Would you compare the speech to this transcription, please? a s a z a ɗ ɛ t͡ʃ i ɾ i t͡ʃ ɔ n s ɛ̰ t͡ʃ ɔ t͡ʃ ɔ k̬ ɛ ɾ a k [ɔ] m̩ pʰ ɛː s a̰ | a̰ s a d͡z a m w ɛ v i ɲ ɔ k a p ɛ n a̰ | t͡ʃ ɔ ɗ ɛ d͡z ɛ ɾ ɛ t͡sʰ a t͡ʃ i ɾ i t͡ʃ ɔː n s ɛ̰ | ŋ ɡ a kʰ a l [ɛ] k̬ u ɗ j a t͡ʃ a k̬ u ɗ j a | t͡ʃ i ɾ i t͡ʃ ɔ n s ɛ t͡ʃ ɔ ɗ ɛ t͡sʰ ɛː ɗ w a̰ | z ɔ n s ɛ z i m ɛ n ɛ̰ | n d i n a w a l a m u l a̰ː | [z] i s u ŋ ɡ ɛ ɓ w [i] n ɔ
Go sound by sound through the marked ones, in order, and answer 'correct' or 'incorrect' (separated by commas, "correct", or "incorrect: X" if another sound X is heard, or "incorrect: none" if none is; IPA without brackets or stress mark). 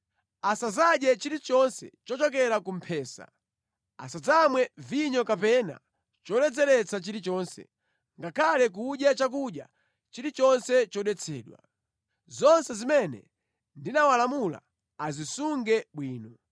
incorrect: u, correct, correct, incorrect: iː